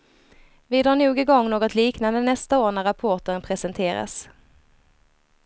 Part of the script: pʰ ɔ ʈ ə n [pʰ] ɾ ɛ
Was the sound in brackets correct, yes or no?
yes